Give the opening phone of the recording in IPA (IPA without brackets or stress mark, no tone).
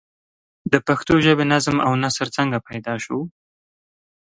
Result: d̪